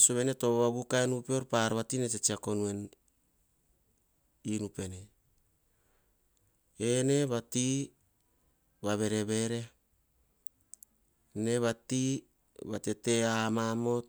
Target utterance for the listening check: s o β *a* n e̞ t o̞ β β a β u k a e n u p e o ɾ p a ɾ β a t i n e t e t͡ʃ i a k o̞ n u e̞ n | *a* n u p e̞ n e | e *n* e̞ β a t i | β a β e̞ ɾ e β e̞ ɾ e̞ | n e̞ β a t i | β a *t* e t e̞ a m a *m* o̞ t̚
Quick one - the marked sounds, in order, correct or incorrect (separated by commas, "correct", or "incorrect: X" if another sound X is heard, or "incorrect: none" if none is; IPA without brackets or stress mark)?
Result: incorrect: e, incorrect: i, correct, correct, correct